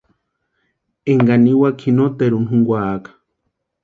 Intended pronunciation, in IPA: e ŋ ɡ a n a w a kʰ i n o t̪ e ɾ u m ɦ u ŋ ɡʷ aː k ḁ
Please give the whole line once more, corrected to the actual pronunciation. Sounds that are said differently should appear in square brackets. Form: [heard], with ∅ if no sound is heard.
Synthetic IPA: e ŋ ɡ a n [i] w a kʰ i n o t̪ e ɾ u [n] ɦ u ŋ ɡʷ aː k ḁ